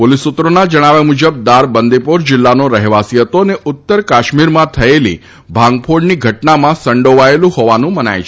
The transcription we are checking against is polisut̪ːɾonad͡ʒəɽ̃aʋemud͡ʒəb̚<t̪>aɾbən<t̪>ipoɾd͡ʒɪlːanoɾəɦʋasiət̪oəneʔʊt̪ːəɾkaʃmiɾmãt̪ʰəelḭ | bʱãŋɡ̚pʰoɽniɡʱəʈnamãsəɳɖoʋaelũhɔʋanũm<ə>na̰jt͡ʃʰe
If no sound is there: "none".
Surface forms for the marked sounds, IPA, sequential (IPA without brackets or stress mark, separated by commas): d̪, d̪, ə